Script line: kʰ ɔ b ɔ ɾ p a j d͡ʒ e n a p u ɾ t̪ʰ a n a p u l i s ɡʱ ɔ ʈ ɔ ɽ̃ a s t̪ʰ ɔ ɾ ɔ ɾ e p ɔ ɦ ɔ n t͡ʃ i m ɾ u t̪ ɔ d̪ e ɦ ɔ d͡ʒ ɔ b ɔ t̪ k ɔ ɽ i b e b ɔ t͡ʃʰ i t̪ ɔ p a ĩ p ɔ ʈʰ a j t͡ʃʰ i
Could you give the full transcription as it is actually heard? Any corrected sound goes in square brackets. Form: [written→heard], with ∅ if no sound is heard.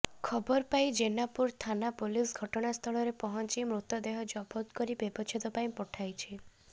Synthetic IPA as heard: kʰ ɔ b ɔ ɾ p a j d͡ʒ e n a p u ɾ t̪ʰ a n a p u l i s ɡʱ ɔ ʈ ɔ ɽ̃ a s t̪ʰ ɔ [ɾ→ɭ] ɔ ɾ e p ɔ ɦ ɔ n t͡ʃ i m ɾ u t̪ ɔ d̪ e ɦ ɔ d͡ʒ ɔ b ɔ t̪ k ɔ [ɽ→ɾ] i b e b ɔ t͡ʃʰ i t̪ ɔ p a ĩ p ɔ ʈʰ a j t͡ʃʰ i